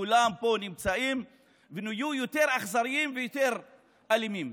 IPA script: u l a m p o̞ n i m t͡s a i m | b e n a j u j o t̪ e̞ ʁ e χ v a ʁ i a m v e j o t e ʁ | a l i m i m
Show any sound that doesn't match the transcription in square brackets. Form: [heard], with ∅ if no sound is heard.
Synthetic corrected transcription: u l a m p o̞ n i m t͡s a i m | [v] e n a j u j o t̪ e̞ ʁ [a] χ [z] a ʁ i [i] m v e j o t e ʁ | a l i m i m